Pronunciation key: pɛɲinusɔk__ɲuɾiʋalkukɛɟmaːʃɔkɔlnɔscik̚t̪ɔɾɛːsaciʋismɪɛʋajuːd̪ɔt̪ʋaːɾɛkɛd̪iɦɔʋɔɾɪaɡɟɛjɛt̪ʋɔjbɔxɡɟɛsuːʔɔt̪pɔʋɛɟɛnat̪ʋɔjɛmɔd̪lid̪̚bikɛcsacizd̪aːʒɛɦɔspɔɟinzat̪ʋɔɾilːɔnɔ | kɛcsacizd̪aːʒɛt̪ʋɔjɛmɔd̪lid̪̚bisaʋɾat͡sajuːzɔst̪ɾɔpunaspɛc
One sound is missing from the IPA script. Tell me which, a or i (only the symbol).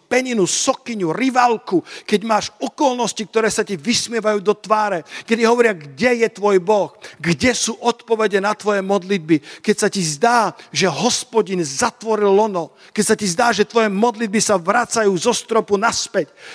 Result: i